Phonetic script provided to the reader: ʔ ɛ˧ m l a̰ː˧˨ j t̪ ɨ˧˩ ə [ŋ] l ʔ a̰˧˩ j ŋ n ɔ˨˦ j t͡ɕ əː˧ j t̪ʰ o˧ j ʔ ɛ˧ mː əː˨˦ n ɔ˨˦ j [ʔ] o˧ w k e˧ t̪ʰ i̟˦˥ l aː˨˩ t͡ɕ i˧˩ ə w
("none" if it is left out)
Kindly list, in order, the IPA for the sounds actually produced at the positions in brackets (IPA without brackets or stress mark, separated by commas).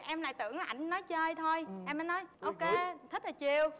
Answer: ŋ, ʔ